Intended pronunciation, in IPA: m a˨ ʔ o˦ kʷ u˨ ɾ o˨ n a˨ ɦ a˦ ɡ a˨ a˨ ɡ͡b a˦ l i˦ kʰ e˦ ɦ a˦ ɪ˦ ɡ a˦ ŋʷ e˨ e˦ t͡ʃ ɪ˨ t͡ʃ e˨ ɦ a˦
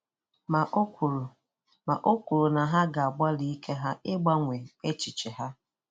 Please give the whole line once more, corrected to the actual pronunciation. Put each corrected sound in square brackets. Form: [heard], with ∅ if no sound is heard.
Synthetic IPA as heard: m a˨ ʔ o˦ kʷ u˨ ɾ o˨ n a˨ ɦ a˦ ɡ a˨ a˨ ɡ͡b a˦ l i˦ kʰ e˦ ɦ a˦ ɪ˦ [ɡ͡b] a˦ ŋʷ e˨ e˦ t͡ʃ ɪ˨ t͡ʃ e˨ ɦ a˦